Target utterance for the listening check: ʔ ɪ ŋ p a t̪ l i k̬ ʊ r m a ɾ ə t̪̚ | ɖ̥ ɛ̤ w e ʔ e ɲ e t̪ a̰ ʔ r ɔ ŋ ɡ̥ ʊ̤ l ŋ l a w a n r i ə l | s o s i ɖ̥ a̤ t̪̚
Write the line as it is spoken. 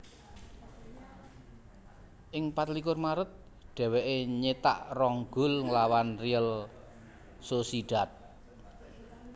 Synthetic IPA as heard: ʔ ɪ ŋ p a t̪ l i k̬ ʊ r m a ɾ ə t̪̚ | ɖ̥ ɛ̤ w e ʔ e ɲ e t̪ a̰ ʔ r ɔ ŋ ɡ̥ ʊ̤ l ŋ l a w a n r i ə l | s o s i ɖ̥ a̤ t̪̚